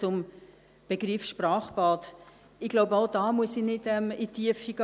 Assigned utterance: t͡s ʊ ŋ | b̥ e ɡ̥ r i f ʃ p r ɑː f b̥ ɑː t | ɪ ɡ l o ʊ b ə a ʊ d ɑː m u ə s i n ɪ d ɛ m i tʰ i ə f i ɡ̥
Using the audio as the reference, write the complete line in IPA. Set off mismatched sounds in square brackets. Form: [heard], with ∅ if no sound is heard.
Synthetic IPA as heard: t͡s ʊ [m] | b̥ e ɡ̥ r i f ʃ p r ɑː [χ] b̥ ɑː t | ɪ ɡ l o ʊ b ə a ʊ d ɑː m u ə s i n ɪ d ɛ m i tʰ i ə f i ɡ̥